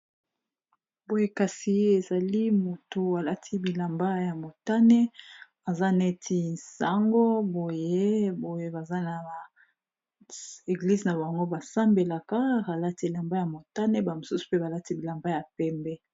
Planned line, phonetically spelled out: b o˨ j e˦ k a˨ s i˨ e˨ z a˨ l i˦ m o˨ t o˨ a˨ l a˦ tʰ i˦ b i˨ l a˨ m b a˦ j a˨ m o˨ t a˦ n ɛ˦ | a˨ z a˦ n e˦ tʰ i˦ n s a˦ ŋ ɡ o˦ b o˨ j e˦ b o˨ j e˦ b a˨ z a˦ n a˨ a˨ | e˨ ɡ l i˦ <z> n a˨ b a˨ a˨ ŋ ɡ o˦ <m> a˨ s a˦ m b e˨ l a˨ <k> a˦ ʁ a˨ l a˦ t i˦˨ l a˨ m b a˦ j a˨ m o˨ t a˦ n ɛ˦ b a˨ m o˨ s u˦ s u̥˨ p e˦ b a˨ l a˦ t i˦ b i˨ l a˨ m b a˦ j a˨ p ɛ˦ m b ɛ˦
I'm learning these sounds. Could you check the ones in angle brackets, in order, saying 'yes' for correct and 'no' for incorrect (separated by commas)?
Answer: yes, no, yes